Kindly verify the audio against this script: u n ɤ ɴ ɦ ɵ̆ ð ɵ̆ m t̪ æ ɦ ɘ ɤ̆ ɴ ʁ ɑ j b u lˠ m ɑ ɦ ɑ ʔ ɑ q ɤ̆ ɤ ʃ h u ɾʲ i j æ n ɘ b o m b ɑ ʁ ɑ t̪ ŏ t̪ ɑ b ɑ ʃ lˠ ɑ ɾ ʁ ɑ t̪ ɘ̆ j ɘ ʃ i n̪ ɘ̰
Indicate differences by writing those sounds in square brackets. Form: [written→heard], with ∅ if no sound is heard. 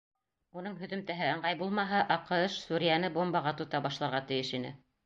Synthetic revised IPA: u n ɤ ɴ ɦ ɵ̆ ð ɵ̆ m t̪ æ ɦ ɘ ɤ̆ ɴ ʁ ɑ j b u lˠ m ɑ ɦ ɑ ʔ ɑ q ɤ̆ ɤ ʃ [h→s] u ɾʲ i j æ n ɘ b o m b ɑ ʁ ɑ t̪ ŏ t̪ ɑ b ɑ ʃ lˠ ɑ ɾ ʁ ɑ t̪ ɘ̆ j ɘ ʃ i n̪ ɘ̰